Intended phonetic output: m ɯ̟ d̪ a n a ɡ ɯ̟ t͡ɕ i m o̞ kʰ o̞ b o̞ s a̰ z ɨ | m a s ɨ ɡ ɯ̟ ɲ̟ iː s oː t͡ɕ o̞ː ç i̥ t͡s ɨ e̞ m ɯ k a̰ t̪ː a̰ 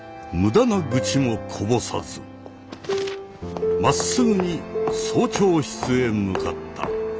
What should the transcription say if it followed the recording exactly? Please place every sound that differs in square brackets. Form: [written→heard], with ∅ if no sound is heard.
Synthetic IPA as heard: m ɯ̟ d̪ a n a ɡ ɯ̟ t͡ɕ i m o̞ kʰ o̞ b o̞ s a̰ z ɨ | m a s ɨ ɡ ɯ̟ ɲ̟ [iː→i] s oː t͡ɕ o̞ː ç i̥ t͡s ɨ e̞ m ɯ k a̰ t̪ː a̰